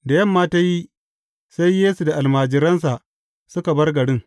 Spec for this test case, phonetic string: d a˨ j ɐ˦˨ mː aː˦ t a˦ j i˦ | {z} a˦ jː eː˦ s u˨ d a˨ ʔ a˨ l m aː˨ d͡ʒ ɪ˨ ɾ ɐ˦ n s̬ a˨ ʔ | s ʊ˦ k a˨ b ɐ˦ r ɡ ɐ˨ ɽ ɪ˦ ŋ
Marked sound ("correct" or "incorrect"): incorrect